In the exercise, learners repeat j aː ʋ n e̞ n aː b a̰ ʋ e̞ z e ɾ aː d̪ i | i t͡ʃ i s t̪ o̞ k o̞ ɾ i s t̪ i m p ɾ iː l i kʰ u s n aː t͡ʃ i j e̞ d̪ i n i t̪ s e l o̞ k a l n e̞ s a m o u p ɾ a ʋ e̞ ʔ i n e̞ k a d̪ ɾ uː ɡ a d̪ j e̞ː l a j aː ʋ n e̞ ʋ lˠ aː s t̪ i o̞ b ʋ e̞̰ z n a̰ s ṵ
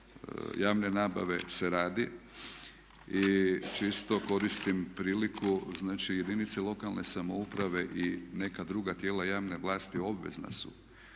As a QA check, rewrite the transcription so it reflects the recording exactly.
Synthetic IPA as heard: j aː ʋ n e̞ n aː b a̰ ʋ e̞ s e ɾ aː d̪ i | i t͡ʃ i s t̪ o̞ k o̞ ɾ i s t̪ i m p ɾ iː l i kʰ u z n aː t͡ʃ i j e̞ d̪ i n i t̪ s e l o̞ k a l n e̞ s a m o u p ɾ a ʋ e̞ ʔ i n e̞ k a d̪ ɾ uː ɡ a t̪ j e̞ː l a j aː ʋ n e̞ ʋ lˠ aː s t̪ i o̞ b ʋ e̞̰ z n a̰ s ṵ

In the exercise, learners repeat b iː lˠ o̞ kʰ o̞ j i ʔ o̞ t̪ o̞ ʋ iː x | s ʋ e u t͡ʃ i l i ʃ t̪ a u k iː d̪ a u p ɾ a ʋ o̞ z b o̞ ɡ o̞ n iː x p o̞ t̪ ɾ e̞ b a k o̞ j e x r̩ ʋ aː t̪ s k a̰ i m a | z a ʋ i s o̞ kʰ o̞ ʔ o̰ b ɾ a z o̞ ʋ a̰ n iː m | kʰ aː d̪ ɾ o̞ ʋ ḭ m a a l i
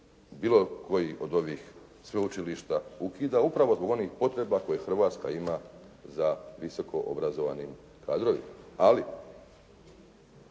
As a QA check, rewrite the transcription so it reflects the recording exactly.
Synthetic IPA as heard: b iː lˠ o̞ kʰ o̞ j i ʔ o̞ d̪ o̞ ʋ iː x | s ʋ e u t͡ʃ i l i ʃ t̪ a u k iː d̪ a u p ɾ a ʋ o̞ z b o̞ ɡ o̞ n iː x p o̞ t̪ ɾ e̞ b a k o̞ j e x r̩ ʋ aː t̪ s k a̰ i m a | z a ʋ i s o̞ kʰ o̞ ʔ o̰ b ɾ a z o̞ ʋ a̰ n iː m | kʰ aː d̪ ɾ o̞ ʋ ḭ m a a l i

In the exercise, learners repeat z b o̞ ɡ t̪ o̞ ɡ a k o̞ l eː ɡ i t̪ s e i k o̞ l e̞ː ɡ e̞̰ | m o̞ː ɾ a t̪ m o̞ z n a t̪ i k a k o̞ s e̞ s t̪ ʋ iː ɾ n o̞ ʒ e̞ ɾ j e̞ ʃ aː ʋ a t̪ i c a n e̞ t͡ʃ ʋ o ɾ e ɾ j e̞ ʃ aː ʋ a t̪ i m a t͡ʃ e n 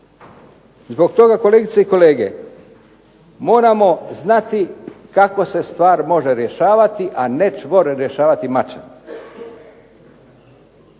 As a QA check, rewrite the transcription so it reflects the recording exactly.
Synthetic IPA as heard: z b o̞ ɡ t̪ o̞ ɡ a k o̞ l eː ɡ i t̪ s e i k o̞ l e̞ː ɡ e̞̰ | m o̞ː ɾ a m o̞ z n a t̪ i k a k o̞ s e̞ s t̪ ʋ aː ɾ m o̞ ʒ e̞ ɾ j e̞ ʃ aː ʋ a t̪ i ʔ a n e̞ t͡ʃ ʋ o ɾ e ɾ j e̞ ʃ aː ʋ a t̪ i m a t͡ʃ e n

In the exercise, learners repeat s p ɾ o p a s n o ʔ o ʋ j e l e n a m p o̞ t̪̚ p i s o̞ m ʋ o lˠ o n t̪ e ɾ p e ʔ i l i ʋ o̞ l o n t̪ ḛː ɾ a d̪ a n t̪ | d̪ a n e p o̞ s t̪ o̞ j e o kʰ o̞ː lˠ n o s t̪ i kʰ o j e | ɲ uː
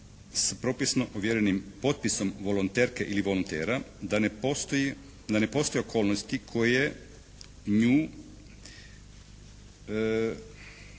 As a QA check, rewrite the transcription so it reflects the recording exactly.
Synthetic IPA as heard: s p ɾ o p i s n o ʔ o ʋ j e ɾ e n i m p o̞ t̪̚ p i s o̞ m ʋ o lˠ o n t̪ e ɾ k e ʔ i l i ʋ o̞ l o n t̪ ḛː ɾ a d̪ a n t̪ | d̪ a n e p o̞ s t̪ o̞ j e o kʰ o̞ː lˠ n o s t̪ i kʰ o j e | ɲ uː

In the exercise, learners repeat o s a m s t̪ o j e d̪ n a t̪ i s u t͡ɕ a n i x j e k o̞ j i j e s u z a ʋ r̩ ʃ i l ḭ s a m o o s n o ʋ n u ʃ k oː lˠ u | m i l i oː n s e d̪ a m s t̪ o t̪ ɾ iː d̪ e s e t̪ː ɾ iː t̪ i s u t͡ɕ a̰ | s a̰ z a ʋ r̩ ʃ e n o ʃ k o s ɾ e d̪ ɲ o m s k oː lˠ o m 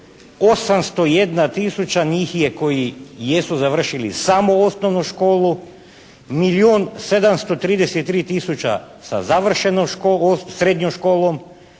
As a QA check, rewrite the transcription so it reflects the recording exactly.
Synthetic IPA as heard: o s a m s t̪ o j e d̪ n a t̪ i s u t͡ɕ a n i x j e k o̞ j i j e s u z a ʋ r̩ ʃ i l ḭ s a m o o s n o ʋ n u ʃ k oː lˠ u | m i l i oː n s e d̪ a m s t̪ o t̪ ɾ iː d̪ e s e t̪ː ɾ iː t̪ i s u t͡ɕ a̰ | s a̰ z a ʋ r̩ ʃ e n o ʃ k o s ɾ e d̪ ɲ o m ʃ k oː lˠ o m

